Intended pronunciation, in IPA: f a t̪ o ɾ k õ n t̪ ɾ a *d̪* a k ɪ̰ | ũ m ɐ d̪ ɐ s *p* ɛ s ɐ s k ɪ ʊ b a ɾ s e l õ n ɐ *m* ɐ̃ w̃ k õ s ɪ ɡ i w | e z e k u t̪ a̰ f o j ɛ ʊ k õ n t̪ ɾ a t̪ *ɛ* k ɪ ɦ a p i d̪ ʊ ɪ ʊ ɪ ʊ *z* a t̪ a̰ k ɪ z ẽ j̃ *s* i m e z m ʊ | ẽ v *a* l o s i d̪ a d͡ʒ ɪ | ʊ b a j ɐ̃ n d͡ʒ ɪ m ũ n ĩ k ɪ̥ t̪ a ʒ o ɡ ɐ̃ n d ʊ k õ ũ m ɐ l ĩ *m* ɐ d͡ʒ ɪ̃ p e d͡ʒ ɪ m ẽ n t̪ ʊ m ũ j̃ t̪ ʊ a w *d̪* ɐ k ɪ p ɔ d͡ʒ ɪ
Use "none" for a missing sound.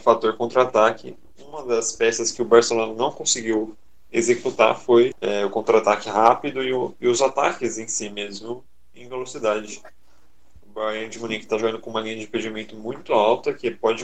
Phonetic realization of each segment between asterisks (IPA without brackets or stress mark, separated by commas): t̪, p, n, a, z, s, e, ɲ, t̪